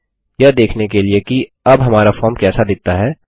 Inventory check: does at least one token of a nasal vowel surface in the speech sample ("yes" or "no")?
no